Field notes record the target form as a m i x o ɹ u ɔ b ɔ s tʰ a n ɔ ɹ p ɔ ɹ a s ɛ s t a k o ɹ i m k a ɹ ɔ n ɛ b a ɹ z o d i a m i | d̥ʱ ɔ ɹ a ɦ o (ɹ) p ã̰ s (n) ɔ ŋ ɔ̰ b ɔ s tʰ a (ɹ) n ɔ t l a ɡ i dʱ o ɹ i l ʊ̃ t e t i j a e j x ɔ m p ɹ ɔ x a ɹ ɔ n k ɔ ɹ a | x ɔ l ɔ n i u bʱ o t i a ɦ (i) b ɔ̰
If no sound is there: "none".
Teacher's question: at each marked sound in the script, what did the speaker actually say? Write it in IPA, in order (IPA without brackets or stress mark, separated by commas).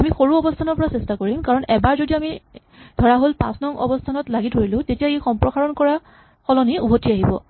l, n, none, i